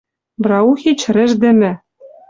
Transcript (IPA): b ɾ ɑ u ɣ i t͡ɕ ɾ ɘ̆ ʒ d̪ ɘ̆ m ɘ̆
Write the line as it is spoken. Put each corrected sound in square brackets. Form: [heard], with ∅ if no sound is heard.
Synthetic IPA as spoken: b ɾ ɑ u [x] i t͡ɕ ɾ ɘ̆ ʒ d̪ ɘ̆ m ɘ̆